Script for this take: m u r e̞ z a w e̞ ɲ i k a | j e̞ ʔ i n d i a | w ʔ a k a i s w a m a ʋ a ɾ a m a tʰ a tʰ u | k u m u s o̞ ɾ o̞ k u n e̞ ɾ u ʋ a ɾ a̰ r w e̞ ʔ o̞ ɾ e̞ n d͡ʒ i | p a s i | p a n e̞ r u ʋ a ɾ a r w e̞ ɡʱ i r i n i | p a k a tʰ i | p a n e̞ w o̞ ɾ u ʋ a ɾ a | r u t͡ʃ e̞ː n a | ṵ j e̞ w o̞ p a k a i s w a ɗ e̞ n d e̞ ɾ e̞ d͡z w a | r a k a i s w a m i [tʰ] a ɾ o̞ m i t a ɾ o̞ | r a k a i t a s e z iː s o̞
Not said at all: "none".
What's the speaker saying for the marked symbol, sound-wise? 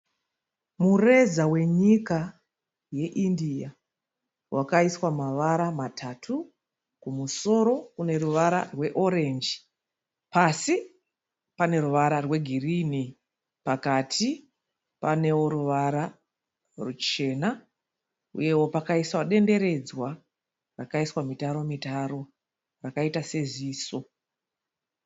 t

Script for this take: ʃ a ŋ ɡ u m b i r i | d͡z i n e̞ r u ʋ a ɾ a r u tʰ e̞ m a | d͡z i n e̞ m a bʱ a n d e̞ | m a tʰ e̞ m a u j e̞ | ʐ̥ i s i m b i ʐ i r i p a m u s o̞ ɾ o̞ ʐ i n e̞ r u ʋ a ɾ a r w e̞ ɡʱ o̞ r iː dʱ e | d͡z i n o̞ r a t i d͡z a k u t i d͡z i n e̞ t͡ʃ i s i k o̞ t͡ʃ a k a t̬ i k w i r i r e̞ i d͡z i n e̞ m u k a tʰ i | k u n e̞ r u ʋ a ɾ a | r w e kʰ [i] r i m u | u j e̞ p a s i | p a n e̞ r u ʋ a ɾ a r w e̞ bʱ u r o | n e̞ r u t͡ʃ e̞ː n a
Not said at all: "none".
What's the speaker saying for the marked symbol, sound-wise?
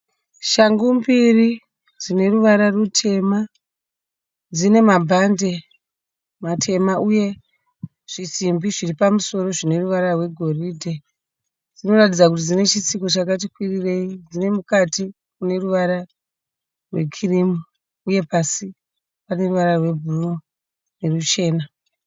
i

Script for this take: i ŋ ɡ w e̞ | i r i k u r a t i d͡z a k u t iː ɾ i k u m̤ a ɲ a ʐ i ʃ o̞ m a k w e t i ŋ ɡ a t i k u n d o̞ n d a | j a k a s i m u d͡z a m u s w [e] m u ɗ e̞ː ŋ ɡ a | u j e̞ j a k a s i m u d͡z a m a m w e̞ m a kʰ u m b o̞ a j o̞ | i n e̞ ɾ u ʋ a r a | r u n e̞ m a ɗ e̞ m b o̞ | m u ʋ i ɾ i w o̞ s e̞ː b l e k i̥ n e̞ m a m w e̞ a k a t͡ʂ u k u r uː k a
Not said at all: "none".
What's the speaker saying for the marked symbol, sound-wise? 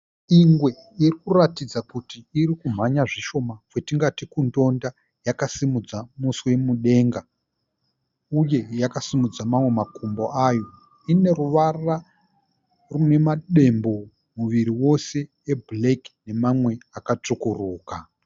e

